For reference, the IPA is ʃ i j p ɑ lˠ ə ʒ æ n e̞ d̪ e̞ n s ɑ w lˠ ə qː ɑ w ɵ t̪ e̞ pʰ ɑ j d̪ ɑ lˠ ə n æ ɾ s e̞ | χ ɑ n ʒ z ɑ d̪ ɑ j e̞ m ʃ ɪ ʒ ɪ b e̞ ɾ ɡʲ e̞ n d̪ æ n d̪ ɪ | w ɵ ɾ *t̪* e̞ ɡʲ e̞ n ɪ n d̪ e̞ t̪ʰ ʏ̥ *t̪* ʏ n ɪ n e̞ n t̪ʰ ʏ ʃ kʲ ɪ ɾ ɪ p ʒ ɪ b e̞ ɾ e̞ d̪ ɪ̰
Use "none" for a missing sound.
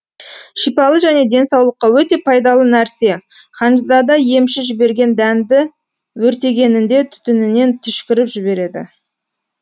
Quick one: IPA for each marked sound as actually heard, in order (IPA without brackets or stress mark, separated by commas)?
t̪, t̪